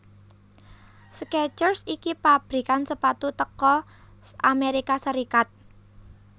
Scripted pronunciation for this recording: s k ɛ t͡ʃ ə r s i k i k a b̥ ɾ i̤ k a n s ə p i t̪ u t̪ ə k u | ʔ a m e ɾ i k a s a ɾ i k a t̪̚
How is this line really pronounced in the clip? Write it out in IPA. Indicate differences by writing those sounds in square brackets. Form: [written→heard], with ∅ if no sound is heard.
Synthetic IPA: s k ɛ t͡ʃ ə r s i k i [k→p] a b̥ ɾ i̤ k a n s ə p [i→a] t̪ u t̪ ə k [u→ɔ] | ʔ a m e ɾ i k a s [a→ə] ɾ i k a t̪̚